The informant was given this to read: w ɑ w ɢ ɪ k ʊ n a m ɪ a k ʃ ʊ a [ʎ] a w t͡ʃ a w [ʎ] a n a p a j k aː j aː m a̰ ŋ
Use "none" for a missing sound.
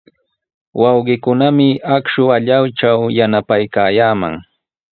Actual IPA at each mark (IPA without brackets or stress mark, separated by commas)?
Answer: ʎ, j